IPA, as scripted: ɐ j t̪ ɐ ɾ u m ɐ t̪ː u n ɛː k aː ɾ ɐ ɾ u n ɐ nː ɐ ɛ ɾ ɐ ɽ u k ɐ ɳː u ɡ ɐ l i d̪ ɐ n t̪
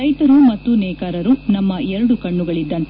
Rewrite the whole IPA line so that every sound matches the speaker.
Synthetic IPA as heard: ɐ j t̪ ɐ ɾ u m ɐ t̪ː u n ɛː k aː ɾ ɐ ɾ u n ɐ mː ɐ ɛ ɾ ɐ ɽ u k ɐ ɳː u ɡ ɐ ɭ i d̪ː ɐ n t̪